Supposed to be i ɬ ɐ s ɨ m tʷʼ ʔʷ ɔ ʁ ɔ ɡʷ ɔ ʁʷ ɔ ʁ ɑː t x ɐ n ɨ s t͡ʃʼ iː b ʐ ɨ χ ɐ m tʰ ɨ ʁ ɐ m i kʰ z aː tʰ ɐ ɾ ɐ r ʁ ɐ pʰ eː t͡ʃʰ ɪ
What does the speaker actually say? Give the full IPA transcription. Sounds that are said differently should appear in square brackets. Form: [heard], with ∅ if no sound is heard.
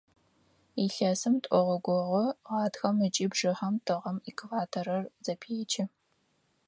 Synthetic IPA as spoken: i ɬ ɐ s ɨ m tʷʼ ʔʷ ɔ ʁ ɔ ɡʷ ɔ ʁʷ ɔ ʁ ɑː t x ɐ [m] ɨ [∅] t͡ʃʼ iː b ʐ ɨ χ ɐ m tʰ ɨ ʁ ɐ m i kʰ [v] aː tʰ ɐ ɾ ɐ r [z] ɐ pʰ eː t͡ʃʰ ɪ